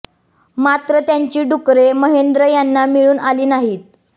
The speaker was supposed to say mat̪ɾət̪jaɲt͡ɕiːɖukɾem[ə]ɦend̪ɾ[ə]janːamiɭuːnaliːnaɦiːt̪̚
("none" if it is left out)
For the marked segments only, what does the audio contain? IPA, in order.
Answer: ə, ə

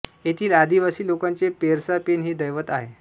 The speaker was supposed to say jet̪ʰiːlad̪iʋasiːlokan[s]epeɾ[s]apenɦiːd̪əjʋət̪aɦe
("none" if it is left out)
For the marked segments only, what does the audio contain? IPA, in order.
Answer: t͡s, s

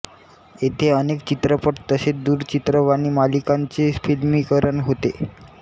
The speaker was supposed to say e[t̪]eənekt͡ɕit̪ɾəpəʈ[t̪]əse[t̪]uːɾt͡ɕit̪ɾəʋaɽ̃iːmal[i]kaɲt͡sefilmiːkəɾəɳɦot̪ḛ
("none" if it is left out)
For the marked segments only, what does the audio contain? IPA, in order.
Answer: t̪ʰ, t̪, d̪, i

